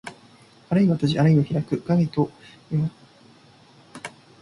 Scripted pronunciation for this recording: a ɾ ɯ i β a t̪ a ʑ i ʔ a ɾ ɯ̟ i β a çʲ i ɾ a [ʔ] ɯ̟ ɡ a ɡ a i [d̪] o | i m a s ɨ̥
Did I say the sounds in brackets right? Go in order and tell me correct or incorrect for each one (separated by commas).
incorrect, incorrect